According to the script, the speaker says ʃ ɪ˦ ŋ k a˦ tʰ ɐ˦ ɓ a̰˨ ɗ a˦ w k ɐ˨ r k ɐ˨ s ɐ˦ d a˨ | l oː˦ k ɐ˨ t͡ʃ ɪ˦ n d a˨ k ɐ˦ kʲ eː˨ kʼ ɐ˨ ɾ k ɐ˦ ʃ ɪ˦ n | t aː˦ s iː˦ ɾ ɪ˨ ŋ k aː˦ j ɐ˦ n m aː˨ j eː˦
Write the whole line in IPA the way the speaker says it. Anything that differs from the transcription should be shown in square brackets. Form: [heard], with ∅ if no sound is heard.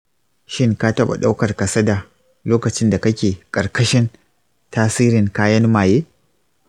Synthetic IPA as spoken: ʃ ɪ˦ ŋ k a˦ [t] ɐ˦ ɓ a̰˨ ɗ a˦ w k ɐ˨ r k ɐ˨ s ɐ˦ d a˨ | l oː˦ k ɐ˨ t͡ʃ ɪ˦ n d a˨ k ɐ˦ kʲ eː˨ kʼ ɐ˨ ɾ k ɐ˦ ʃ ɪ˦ n | t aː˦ s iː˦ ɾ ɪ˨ ŋ k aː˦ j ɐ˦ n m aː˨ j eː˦